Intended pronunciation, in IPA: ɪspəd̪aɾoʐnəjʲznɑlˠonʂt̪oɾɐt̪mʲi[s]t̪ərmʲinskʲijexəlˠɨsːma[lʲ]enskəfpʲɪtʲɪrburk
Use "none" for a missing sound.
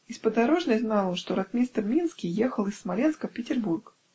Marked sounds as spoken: s, lʲ

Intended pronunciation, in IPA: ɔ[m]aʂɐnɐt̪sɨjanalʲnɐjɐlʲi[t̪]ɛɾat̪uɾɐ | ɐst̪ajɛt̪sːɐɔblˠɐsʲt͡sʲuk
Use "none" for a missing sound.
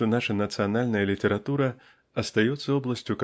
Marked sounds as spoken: n, t̪

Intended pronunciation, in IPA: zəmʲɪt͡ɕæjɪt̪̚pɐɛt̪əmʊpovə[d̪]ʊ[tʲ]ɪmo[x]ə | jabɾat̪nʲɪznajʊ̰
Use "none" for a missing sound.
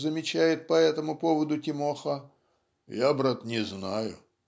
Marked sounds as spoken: d̪, tʲ, x

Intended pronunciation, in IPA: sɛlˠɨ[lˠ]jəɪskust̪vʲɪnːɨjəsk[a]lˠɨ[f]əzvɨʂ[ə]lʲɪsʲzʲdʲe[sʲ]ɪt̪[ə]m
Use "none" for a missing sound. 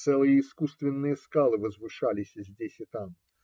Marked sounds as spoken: none, a, v, a, sʲ, a

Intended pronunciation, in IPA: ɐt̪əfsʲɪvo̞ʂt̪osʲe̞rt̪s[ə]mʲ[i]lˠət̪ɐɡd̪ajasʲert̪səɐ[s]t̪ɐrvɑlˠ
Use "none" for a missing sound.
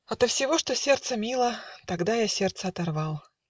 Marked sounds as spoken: ə, i, none

